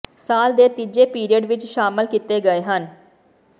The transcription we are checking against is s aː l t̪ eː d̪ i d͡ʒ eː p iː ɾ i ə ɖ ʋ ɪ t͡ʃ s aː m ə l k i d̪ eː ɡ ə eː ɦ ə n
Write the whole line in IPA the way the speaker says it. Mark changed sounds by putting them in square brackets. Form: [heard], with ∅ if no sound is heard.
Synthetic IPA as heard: s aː l [d̪] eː [t̪] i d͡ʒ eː p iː ɾ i ə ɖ ʋ ɪ t͡ʃ [ʃ] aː m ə l k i [t̪] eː ɡ ə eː ɦ ə n